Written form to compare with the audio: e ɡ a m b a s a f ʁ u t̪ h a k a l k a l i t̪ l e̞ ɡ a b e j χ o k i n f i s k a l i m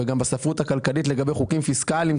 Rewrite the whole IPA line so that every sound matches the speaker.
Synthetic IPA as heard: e ɡ a m b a s a f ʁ u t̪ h a k a l k a l i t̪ l e̞ ɡ a b e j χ u k i m f i s k a l i m